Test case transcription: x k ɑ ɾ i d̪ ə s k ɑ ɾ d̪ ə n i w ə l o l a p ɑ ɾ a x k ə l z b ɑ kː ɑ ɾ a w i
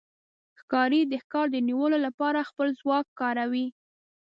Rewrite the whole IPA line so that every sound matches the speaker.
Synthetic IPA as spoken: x k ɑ ɾ i d̪ ə x k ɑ ɾ d̪ ə n i w ə l o l a p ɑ ɾ a x p ə l z w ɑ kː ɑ ɾ a w i